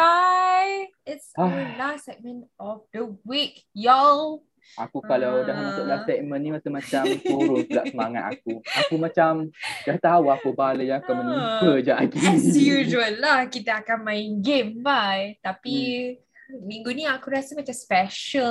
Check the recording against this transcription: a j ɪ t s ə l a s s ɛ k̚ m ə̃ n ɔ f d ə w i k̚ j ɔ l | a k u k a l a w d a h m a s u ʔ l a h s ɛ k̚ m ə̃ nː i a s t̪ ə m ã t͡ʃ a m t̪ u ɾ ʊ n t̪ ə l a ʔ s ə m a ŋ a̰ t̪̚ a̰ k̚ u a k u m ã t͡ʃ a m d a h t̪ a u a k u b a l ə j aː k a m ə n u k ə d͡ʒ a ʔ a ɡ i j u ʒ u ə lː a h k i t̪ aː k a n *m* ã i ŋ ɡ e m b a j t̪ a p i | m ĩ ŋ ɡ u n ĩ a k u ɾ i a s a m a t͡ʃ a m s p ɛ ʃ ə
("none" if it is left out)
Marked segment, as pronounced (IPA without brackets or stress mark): m